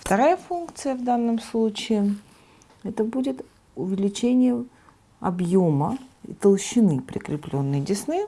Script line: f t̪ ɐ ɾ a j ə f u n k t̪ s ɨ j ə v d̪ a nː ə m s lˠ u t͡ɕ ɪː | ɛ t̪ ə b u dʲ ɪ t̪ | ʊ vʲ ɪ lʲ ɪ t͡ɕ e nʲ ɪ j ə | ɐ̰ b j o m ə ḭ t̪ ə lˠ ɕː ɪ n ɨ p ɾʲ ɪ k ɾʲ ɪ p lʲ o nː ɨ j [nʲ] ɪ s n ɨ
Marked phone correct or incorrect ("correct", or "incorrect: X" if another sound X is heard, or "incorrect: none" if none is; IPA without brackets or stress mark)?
incorrect: dʲ